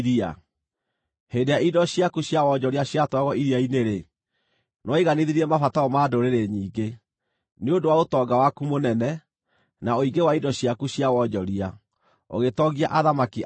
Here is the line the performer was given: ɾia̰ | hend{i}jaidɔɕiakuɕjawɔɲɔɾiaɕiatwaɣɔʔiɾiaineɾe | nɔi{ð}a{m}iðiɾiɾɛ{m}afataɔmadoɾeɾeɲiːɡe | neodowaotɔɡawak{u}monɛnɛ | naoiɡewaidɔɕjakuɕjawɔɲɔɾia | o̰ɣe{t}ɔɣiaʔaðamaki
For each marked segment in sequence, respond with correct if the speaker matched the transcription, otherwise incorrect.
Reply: incorrect, incorrect, incorrect, correct, correct, correct

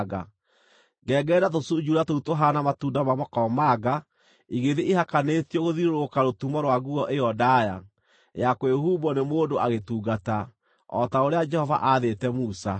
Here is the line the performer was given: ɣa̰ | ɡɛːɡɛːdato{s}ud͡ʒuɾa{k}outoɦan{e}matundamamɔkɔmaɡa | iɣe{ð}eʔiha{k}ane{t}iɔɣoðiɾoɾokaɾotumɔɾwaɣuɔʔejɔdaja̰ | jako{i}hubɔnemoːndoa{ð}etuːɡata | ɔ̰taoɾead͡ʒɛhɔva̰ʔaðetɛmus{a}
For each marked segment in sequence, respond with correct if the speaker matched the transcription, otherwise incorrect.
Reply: correct, incorrect, incorrect, correct, correct, correct, incorrect, incorrect, correct

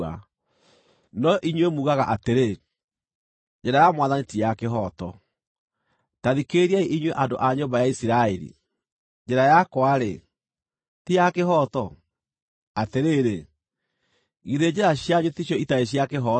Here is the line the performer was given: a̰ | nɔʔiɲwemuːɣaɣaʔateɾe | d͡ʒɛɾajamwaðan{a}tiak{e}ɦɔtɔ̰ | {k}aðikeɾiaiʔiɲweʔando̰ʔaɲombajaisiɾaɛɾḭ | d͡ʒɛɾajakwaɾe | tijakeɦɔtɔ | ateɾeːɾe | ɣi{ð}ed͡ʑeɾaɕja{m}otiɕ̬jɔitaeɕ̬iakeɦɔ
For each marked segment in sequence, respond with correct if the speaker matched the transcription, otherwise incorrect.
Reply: incorrect, correct, incorrect, correct, incorrect

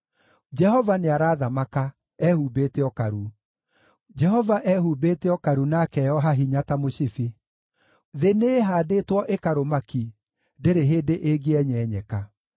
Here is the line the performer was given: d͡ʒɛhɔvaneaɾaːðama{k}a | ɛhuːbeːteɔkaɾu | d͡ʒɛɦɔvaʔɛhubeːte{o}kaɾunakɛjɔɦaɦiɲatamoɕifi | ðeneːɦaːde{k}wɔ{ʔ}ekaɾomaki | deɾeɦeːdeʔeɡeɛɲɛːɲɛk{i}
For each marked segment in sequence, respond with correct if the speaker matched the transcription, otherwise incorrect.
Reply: correct, incorrect, incorrect, correct, incorrect

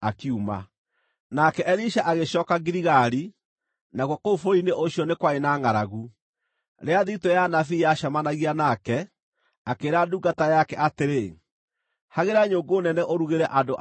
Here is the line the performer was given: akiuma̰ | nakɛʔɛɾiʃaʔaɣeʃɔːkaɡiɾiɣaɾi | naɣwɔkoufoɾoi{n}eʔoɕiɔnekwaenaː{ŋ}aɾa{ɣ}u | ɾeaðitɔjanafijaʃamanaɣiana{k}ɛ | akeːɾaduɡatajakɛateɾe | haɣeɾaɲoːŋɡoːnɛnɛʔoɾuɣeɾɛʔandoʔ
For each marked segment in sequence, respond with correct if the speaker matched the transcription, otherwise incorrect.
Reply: correct, correct, correct, correct

